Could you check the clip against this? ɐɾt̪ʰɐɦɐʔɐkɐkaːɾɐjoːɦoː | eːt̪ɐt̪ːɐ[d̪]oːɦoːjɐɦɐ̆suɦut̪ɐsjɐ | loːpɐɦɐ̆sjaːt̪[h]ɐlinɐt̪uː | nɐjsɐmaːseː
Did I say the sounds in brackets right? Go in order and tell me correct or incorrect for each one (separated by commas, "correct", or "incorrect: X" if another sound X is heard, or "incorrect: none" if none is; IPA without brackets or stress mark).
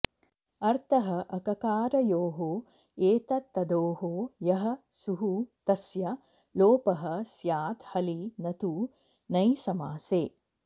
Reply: correct, correct